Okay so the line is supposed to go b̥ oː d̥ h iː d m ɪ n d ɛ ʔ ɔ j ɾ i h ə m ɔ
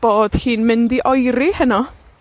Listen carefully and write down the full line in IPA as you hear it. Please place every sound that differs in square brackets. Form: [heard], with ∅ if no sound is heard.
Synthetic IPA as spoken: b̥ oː d̥ h iː [n] m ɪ n d [i] ʔ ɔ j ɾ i h ə [n] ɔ